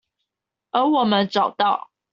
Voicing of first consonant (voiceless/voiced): voiced